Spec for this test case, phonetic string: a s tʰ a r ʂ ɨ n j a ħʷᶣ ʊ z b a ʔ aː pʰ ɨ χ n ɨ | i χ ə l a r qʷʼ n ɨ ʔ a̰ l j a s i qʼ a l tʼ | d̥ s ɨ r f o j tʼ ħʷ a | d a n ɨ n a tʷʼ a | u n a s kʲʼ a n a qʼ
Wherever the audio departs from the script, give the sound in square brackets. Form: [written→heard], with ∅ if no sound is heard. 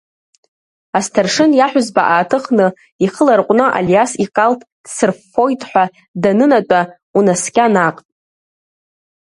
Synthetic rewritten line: a s tʰ a r ʂ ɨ n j a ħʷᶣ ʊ z b a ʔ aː [pʰ→tʰ] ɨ χ n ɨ | i χ ə l a r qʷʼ n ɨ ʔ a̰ l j a s i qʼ a l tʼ | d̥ s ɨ r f o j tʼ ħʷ a | d a n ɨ n a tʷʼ a | u n a s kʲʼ a n a qʼ